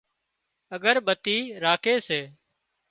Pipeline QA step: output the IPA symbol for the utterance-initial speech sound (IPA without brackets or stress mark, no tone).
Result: ə